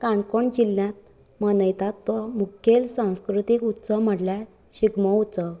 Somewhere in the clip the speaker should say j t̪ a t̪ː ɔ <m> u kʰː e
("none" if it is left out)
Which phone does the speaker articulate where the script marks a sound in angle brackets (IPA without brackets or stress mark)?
m